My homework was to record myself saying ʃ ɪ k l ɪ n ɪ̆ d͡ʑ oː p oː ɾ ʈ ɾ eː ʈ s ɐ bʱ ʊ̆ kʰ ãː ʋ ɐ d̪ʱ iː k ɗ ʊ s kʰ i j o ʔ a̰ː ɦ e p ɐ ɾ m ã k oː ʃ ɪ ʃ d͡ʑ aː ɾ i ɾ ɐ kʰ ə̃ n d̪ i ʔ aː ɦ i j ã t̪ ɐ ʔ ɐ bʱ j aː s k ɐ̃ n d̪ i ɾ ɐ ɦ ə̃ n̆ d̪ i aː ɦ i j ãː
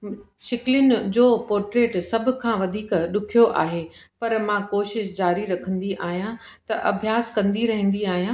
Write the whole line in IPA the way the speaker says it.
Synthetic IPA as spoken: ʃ ɪ k l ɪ n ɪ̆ d͡ʑ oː p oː ɾ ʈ ɾ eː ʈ s ɐ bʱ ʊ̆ kʰ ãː ʋ ɐ d̪ʱ iː k ɗ ʊ kʰ i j o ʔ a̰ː ɦ e p ɐ ɾ m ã k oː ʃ ɪ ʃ d͡ʑ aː ɾ i ɾ ɐ kʰ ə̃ n d̪ i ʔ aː ɦ i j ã t̪ ɐ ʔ ɐ bʱ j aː s k ɐ̃ n d̪ i ɾ ɐ ɦ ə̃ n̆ d̪ i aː ɦ i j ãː